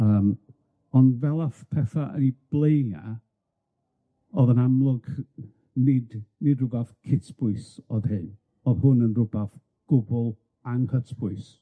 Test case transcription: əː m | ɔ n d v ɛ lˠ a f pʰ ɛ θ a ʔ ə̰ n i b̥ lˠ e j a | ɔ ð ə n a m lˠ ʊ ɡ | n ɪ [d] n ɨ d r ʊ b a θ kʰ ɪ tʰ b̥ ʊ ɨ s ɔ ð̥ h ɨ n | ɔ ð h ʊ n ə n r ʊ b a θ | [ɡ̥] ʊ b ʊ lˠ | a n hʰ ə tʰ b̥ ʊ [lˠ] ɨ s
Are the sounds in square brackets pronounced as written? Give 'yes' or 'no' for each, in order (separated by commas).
yes, yes, no